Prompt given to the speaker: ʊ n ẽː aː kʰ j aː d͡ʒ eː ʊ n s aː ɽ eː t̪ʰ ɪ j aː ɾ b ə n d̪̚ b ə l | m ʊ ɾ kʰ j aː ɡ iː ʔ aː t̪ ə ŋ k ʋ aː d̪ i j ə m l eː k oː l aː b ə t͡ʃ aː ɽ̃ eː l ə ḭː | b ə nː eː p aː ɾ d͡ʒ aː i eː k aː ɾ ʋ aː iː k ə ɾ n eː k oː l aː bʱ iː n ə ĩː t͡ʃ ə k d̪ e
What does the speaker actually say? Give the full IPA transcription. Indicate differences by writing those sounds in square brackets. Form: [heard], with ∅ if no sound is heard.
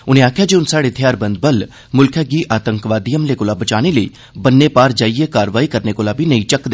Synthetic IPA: ʊ n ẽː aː kʰ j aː d͡ʒ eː ʊ n s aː ɽ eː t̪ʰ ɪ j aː ɾ b ə n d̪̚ b ə l | m ʊ [l] kʰ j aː ɡ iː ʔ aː t̪ ə ŋ k ʋ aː d̪ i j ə m l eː k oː l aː b ə t͡ʃ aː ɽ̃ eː l ə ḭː | b ə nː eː p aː ɾ d͡ʒ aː i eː k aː ɾ ʋ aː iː k ə ɾ n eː k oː l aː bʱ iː n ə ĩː t͡ʃ ə k d̪ e